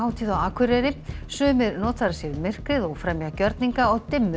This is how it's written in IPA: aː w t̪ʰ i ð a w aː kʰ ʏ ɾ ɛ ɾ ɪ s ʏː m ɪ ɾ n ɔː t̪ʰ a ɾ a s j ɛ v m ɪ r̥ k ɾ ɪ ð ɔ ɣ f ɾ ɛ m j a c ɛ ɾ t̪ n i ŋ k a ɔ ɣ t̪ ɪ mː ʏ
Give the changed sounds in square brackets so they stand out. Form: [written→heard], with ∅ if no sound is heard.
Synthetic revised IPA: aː w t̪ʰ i ð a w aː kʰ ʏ ɾ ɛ ɾ ɪ s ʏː m ɪ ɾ n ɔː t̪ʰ a ɾ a s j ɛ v m ɪ r̥ k ɾ ɪ ð ɔ ɣ f ɾ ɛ m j a c [ɛ→œ] ɾ t̪ n i ŋ k a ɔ ɣ t̪ ɪ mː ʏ